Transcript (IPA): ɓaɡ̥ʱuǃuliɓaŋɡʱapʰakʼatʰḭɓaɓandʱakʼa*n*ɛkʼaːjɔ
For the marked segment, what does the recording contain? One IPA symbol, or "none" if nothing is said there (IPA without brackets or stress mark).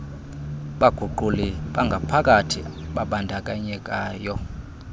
ɲ